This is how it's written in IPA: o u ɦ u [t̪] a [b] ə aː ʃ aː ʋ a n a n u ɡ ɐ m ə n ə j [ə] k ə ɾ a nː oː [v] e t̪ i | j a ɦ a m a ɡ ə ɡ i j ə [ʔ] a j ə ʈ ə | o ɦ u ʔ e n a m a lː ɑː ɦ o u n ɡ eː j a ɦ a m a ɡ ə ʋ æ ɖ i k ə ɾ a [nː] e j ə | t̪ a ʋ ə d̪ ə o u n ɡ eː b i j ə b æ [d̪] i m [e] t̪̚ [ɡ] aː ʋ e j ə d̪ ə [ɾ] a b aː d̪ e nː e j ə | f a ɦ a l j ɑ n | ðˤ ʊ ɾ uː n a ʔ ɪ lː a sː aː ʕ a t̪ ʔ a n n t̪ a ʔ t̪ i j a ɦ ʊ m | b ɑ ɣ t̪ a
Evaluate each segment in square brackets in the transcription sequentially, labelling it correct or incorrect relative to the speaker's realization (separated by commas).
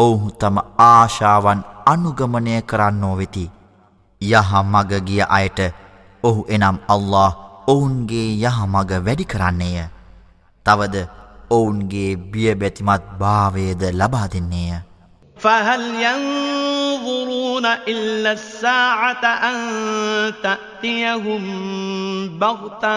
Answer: correct, incorrect, correct, incorrect, correct, correct, incorrect, incorrect, incorrect, incorrect